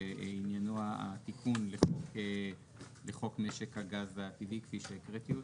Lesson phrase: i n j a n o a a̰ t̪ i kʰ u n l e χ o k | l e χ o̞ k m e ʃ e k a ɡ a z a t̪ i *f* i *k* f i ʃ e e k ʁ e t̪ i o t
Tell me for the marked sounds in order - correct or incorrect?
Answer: incorrect: v, correct

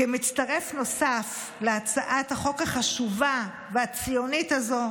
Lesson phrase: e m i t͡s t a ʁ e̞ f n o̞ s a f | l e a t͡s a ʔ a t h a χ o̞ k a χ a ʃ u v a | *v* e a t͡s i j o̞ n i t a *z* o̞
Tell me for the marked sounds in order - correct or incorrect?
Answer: correct, correct

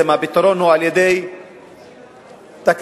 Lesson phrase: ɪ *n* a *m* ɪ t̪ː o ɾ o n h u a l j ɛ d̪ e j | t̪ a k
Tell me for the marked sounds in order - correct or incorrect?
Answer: incorrect: m, incorrect: b

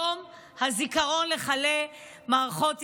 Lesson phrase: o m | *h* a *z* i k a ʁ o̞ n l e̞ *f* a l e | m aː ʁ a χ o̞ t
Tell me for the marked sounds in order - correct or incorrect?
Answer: correct, correct, incorrect: χ

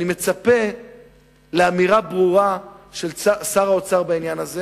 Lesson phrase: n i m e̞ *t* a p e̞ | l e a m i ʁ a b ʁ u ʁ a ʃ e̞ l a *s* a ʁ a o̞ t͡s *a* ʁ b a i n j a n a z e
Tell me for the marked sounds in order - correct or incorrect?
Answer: incorrect: t͡s, correct, correct

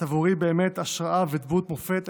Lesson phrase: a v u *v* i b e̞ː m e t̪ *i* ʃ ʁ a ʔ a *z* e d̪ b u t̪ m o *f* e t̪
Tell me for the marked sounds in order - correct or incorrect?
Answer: incorrect: ʁ, incorrect: a, incorrect: v, correct

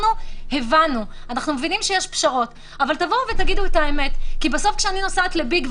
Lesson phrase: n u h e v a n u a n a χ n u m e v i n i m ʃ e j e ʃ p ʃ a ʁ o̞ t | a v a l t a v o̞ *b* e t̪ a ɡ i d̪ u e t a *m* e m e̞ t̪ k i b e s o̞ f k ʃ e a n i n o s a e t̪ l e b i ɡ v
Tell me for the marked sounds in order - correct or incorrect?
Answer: incorrect: v, incorrect: none

